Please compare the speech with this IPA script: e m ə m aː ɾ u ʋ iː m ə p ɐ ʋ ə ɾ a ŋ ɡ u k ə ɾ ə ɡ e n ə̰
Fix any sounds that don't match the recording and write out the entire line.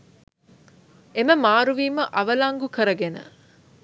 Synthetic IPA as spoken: e m ə m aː ɾ u ʋ iː m ə ʔ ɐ ʋ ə l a ŋ ɡ u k ə ɾ ə ɡ e n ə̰